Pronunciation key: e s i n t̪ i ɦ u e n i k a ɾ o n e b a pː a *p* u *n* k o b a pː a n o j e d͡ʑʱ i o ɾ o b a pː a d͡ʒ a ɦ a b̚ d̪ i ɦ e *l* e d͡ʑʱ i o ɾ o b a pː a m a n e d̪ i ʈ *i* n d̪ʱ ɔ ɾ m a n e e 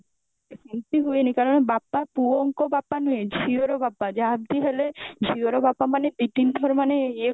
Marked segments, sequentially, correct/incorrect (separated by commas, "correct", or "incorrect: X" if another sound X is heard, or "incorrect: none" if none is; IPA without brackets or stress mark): correct, incorrect: ŋ, correct, correct